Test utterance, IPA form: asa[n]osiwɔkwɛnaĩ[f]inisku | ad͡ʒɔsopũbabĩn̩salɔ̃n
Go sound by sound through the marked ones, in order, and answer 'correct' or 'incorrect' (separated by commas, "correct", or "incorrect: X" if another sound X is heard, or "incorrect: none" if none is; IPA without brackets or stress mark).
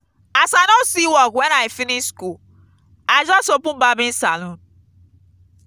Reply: correct, correct